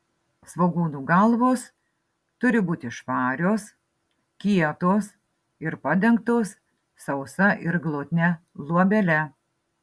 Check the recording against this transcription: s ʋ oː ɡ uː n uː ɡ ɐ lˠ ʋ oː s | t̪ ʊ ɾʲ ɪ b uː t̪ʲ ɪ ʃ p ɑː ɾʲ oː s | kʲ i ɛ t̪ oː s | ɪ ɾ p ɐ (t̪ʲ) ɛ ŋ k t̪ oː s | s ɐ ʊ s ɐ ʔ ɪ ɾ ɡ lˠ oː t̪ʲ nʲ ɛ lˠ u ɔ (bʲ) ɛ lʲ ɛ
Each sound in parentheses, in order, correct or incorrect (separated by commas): incorrect, correct